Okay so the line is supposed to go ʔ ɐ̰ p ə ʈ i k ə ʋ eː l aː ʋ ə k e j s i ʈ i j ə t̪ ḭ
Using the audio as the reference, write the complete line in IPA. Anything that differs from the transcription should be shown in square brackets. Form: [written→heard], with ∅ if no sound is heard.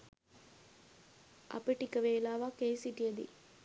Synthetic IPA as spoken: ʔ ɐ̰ p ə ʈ i k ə ʋ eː l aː ʋ [ə→a] k e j s i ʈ i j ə [t̪→d̪] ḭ